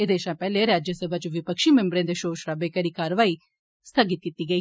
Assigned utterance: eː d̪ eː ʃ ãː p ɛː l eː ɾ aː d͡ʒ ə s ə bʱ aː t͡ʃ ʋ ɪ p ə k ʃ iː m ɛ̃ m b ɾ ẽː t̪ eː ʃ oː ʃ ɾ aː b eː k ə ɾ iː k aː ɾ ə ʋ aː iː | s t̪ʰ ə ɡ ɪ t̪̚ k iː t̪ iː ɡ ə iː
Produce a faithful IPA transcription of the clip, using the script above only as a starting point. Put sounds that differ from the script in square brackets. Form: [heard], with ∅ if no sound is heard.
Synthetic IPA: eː d̪ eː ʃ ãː p ɛː l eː ɾ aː d͡ʒ ə s ə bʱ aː t͡ʃ ʋ ɪ p ə k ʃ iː m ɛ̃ m b ɾ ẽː [d̪] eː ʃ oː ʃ ɾ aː b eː k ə ɾ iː k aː ɾ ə ʋ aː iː | s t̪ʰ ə ɡ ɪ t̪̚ k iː t̪ iː ɡ ə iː